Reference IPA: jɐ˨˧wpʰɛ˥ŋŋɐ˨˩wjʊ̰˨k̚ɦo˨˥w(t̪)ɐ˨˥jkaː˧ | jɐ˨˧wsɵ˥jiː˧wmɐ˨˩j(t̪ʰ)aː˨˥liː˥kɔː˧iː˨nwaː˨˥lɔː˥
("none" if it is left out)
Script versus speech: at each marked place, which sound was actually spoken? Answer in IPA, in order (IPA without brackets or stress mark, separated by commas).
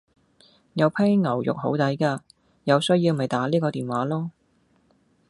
t̪, t̪